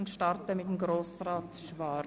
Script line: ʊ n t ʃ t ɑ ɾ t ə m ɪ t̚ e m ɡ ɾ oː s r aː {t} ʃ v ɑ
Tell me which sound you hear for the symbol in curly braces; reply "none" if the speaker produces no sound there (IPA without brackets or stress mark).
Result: t